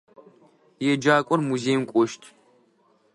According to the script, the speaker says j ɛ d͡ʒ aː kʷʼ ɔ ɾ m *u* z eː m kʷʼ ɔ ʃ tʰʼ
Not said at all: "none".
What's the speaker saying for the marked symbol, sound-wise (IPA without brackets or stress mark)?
u